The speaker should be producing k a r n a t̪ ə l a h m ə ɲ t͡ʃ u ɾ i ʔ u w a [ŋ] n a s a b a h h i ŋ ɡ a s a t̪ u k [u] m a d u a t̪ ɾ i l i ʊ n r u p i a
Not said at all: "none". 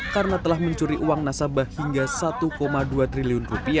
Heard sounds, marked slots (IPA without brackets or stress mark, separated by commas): ŋ, o